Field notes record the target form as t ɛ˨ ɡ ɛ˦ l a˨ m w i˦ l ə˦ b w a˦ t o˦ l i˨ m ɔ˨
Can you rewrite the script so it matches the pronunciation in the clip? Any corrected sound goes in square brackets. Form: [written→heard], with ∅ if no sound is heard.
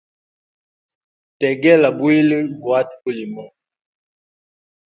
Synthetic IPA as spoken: t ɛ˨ ɡ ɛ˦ l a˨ [m→b] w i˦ l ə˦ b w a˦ t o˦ l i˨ m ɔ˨